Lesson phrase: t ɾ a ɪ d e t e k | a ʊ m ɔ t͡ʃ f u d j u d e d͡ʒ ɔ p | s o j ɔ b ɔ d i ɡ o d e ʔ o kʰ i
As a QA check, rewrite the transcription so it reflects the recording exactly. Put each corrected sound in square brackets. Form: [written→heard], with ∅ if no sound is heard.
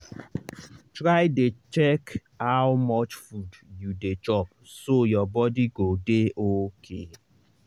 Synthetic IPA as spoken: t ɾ a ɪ d e [t→t͡ʃ] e k | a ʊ m ɔ t͡ʃ f u d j u d e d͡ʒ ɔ p | s o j ɔ b ɔ d i ɡ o d e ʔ o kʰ [i→e]